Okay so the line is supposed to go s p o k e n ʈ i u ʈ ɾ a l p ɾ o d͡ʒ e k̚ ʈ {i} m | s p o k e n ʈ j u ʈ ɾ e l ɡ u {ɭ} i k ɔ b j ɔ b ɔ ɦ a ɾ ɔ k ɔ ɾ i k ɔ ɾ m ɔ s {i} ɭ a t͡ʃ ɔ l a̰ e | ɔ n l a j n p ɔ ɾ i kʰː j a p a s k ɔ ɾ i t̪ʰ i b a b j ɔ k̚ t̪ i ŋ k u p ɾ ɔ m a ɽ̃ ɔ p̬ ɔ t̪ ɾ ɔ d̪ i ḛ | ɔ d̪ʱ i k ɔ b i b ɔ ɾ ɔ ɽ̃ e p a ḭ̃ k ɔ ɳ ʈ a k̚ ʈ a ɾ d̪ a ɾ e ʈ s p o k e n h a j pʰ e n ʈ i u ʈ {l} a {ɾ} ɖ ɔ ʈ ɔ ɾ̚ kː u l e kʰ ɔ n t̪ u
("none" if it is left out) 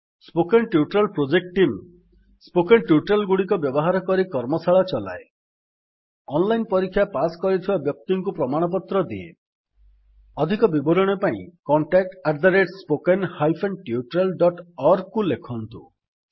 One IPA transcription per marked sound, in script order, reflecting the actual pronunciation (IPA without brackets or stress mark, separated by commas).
i, ɽ, a, ɾ, l